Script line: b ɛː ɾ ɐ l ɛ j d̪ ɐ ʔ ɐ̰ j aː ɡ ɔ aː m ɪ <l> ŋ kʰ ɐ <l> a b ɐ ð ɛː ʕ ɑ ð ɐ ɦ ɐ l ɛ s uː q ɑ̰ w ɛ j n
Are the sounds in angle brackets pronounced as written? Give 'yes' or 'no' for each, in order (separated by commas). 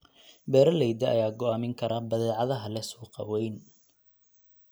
no, no